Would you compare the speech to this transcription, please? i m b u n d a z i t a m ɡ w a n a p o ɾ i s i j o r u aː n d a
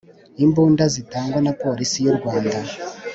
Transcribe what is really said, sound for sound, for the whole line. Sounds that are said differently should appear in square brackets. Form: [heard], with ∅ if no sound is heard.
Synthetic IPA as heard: i m b u n d a z i t a [ŋ] ɡ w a n a p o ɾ i s i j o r [w] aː n d a